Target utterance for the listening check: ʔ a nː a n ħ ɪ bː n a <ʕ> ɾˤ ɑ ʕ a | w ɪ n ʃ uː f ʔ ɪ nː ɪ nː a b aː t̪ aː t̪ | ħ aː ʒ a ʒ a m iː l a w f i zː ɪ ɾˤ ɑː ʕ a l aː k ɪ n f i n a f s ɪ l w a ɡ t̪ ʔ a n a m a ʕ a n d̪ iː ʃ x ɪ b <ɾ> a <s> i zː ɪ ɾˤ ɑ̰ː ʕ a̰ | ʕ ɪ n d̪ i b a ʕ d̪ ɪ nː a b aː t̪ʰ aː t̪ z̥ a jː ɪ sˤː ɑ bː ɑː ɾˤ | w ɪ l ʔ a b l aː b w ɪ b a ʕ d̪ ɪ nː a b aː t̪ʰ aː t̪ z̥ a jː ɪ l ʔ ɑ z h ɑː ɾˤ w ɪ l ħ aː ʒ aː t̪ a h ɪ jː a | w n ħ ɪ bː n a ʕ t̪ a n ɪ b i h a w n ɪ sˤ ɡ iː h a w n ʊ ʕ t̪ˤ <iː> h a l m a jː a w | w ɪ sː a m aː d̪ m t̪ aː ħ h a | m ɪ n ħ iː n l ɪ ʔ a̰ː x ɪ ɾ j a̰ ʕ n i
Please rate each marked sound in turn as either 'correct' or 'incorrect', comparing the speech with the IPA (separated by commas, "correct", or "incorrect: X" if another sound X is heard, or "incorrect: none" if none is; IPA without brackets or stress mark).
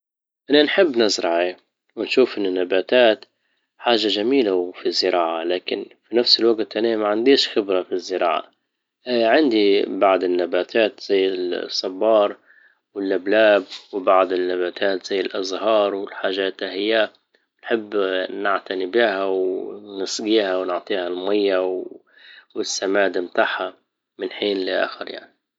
incorrect: z, correct, incorrect: f, correct